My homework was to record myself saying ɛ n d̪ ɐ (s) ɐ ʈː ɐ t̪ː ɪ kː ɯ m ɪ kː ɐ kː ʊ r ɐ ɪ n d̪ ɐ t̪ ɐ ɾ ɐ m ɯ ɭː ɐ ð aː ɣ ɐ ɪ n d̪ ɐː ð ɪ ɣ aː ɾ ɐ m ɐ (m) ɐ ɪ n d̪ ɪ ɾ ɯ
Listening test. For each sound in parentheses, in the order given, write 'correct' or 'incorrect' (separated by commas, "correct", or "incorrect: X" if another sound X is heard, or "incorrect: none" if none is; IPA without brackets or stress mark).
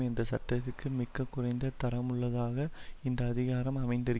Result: correct, correct